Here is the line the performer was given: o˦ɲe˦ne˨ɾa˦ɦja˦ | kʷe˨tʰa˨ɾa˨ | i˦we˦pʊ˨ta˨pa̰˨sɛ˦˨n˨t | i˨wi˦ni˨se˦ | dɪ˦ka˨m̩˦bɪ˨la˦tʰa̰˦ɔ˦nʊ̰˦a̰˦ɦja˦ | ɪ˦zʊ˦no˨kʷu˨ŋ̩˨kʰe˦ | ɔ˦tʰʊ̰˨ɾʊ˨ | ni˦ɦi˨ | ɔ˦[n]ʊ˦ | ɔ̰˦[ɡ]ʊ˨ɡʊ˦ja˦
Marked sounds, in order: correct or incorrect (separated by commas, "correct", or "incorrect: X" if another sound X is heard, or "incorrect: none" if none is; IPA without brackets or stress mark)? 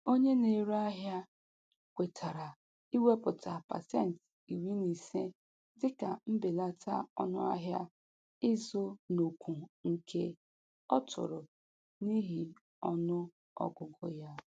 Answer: correct, correct